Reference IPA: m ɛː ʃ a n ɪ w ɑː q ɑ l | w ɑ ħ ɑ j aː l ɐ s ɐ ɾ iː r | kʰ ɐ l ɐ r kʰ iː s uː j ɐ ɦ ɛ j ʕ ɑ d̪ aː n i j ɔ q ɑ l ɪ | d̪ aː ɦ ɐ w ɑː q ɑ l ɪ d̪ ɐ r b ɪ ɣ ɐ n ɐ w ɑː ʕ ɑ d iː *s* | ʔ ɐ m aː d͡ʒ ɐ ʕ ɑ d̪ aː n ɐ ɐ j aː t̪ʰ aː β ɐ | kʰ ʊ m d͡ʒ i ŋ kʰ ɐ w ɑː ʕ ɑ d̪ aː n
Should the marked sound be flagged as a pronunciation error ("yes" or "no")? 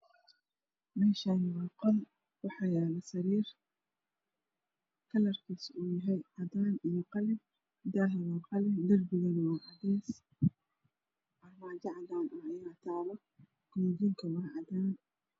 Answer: no